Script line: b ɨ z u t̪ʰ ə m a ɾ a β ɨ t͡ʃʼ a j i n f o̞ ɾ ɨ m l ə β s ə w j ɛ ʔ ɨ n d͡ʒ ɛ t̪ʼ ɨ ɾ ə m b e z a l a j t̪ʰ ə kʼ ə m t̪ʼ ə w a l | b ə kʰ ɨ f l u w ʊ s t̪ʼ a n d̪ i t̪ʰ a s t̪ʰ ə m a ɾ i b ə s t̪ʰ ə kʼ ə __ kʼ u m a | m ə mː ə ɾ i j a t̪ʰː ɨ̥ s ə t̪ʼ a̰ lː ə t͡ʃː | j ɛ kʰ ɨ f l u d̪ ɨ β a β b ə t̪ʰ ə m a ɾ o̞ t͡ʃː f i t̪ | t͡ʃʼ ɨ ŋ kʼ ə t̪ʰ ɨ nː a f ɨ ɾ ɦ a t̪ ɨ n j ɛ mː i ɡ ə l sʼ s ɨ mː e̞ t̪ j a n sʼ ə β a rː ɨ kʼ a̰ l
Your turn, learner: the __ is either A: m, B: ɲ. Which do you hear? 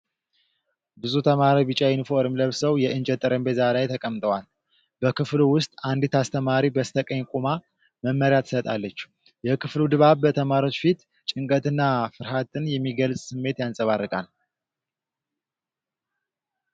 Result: B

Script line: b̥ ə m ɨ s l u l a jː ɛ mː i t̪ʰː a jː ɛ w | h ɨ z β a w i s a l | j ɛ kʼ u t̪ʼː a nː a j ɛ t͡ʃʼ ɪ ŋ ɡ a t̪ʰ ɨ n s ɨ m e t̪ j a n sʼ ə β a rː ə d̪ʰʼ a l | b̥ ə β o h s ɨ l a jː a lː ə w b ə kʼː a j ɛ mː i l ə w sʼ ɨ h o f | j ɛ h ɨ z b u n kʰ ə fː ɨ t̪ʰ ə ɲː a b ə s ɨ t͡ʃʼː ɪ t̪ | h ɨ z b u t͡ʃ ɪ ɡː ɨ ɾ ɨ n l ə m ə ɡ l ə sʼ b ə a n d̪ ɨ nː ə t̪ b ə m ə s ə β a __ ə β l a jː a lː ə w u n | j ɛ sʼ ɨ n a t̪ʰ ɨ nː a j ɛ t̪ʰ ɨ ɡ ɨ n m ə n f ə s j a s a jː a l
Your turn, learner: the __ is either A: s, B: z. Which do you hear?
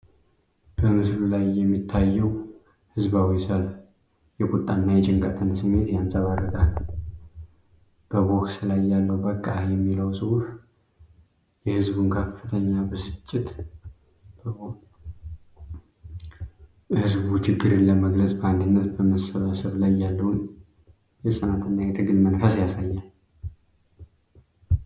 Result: A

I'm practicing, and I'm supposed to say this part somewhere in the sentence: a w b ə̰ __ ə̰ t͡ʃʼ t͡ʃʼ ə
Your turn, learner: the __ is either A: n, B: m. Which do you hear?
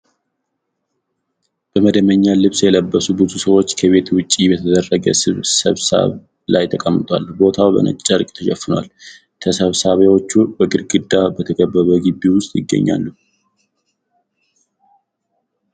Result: A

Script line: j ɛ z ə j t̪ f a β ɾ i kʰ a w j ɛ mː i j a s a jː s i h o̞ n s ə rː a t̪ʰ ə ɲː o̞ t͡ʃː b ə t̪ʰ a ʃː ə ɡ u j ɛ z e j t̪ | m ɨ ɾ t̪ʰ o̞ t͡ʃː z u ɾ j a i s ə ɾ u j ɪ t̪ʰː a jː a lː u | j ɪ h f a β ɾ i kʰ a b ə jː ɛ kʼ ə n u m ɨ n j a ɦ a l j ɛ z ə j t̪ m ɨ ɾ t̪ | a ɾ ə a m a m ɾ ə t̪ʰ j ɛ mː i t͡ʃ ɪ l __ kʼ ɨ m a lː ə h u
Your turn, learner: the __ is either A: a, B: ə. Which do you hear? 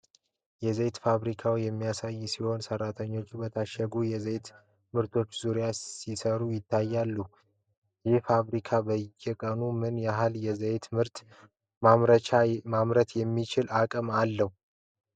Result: A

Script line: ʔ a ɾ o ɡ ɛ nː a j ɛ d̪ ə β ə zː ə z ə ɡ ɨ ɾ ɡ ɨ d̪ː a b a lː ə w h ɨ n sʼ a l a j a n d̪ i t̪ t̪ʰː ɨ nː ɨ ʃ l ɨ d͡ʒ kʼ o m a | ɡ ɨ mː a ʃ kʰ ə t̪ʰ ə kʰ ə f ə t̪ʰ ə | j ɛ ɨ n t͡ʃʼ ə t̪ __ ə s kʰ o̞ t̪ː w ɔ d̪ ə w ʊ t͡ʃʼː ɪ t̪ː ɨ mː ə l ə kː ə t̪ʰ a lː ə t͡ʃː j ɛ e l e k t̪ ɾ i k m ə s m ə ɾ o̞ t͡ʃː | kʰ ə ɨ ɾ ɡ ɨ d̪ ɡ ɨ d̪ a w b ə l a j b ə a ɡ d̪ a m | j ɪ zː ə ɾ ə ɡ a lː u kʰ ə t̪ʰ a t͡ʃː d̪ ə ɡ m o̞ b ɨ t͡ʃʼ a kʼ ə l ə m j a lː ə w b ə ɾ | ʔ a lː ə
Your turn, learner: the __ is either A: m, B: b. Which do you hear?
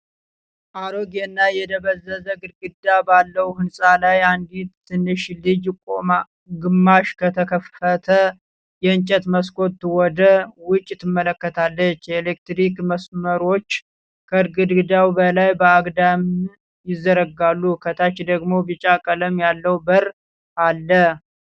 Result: A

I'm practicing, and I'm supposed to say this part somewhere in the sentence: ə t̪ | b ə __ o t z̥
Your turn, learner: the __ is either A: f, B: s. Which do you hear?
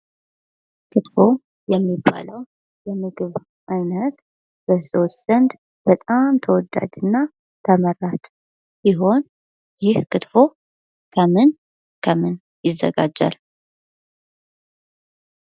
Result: B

